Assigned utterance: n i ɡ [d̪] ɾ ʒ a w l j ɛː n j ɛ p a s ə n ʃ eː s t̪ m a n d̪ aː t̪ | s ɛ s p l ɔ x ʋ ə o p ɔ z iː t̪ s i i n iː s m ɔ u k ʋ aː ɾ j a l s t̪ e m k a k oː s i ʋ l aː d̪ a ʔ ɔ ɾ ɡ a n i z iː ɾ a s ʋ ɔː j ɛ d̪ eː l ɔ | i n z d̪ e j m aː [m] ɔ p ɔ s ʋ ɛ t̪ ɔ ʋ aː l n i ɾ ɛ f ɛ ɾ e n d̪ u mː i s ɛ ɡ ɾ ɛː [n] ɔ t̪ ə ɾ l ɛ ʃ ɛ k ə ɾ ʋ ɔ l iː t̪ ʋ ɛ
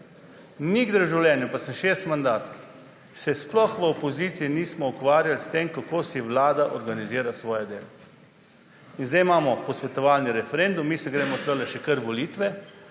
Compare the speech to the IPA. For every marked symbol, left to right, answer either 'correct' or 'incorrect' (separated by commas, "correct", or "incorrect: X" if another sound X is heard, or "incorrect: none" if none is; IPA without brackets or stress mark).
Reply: correct, correct, incorrect: m